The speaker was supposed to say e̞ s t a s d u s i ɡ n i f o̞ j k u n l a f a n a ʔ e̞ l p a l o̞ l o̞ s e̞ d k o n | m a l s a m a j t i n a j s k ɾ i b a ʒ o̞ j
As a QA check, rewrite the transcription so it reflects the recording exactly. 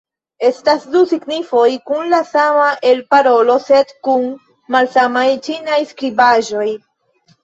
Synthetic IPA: e̞ s t a s d u s i ɡ n i f o̞ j k u n l a s a m a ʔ e̞ l p a ɾ o̞ l o̞ s e̞ d k u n | m a l s a m a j t͡ʃ i n a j s k ɾ i b a ʒ o̞ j